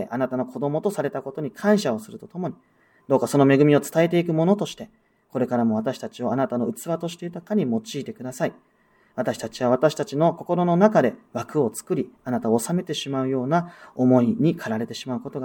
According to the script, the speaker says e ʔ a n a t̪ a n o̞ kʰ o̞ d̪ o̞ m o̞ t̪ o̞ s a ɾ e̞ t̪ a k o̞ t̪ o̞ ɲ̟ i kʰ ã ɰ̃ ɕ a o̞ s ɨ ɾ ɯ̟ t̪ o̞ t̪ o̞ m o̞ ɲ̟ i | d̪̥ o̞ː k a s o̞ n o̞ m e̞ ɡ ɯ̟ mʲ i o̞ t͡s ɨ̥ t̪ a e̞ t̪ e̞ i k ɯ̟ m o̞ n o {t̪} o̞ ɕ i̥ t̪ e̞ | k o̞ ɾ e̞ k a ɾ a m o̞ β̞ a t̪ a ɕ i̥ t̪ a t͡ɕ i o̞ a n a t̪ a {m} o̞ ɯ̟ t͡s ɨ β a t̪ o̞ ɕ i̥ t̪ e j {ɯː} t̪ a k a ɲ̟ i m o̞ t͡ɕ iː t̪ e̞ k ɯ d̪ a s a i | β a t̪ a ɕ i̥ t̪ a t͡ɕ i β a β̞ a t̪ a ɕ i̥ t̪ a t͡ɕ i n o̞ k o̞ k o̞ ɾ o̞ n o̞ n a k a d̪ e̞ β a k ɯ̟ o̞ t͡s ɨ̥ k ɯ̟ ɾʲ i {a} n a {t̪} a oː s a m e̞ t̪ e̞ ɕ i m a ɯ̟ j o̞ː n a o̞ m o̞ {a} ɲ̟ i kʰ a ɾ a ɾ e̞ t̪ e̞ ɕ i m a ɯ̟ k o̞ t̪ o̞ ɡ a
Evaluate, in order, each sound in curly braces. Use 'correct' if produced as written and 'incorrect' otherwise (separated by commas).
correct, incorrect, incorrect, correct, correct, incorrect